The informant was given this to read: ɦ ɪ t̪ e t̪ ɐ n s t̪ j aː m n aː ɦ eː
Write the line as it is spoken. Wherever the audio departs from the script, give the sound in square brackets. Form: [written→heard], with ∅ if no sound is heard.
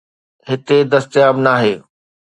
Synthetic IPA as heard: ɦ ɪ t̪ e [t̪→d̪] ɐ [n→∅] s t̪ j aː [m→b] n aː ɦ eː